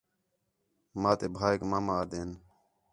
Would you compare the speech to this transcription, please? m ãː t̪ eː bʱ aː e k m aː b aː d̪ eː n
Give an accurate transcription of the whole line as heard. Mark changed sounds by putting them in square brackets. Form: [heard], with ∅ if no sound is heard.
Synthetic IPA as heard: m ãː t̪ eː bʱ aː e k m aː [m] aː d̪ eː n